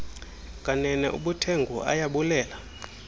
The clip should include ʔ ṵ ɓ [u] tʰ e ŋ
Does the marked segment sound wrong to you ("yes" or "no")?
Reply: no